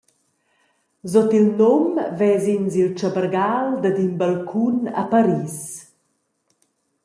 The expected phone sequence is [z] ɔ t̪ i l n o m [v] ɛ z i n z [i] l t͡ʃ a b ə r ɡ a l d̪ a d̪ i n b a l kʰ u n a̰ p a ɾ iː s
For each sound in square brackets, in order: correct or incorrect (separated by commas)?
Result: correct, correct, correct